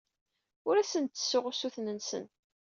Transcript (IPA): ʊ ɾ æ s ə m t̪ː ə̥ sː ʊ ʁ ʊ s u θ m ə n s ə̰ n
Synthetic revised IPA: ʊ ɾ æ s ə n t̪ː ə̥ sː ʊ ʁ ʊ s u θ n ə n s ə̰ n